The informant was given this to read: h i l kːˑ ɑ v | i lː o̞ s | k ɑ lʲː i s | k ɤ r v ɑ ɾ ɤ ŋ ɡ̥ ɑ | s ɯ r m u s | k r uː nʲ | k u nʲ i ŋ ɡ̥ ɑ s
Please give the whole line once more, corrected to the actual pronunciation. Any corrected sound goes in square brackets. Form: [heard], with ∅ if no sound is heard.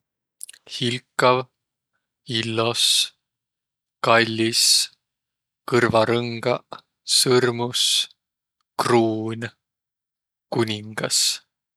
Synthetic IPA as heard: h i l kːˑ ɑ v | i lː o̞ s | k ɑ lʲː i s | k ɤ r v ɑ ɾ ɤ ŋ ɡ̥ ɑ | s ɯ r m u s | k r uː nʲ | k u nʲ i ŋ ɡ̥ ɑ s